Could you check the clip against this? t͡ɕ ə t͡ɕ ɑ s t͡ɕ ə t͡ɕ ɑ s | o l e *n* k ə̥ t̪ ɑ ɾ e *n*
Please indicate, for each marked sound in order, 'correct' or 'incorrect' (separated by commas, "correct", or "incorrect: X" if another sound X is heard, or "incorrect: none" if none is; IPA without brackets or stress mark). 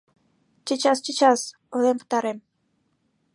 incorrect: m, incorrect: m